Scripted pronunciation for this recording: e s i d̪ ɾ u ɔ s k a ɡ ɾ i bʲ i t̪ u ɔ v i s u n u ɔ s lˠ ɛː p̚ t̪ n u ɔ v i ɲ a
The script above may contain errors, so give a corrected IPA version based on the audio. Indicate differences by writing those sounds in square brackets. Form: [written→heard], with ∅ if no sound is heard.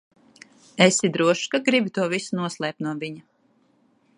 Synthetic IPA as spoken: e s i d̪ ɾ u ɔ [s→ʃ] k a ɡ ɾ i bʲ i t̪ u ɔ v i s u n u ɔ s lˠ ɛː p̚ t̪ n u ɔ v i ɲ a